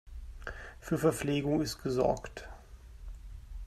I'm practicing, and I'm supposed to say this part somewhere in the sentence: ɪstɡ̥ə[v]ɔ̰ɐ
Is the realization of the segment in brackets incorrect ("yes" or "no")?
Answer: yes